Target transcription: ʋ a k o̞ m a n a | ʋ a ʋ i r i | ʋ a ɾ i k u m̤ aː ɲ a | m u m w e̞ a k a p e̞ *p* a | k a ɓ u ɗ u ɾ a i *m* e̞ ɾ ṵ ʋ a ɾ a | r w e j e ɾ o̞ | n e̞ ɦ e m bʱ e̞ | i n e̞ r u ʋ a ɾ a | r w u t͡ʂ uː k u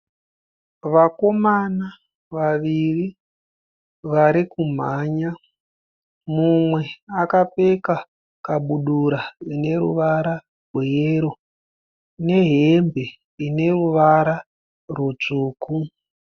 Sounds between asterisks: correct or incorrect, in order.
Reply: incorrect: k, incorrect: n

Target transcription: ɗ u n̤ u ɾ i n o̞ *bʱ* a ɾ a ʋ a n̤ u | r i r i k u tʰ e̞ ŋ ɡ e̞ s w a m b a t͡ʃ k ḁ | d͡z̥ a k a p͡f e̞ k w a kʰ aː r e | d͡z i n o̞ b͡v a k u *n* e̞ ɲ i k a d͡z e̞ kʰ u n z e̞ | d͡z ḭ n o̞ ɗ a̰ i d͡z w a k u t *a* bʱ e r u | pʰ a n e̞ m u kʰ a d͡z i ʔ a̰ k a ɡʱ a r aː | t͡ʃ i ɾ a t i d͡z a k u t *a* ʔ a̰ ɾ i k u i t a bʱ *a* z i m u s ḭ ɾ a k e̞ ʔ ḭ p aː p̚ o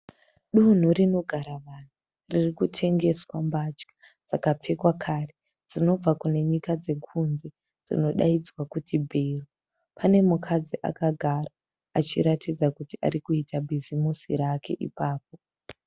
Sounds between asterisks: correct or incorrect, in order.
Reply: incorrect: ɡʱ, correct, incorrect: i, incorrect: i, incorrect: i

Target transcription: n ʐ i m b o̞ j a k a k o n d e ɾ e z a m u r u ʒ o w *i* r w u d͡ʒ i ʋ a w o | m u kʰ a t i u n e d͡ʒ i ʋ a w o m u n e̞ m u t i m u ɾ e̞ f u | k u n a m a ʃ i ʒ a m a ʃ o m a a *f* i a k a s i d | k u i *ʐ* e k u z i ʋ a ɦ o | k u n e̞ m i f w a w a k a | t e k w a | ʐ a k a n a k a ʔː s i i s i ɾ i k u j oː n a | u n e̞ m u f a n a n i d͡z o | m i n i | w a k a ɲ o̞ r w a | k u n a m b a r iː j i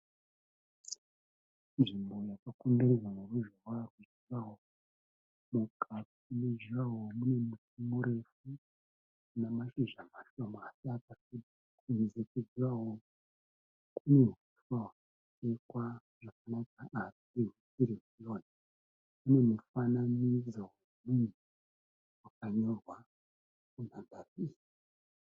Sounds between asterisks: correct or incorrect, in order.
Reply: incorrect: a, incorrect: s, incorrect: z

